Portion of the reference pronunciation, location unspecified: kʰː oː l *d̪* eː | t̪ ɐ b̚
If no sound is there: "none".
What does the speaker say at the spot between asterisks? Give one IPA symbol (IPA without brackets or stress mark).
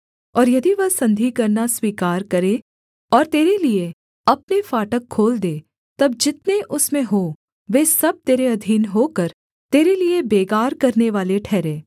d̪